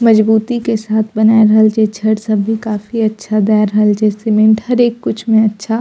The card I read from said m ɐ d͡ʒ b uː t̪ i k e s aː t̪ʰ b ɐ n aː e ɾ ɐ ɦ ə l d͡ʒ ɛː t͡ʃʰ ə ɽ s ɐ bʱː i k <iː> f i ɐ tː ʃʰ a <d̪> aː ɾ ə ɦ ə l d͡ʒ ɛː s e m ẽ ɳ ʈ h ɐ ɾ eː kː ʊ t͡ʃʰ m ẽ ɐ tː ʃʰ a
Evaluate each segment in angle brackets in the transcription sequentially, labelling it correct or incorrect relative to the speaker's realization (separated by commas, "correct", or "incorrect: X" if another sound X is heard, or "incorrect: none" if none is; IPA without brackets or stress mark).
incorrect: aː, correct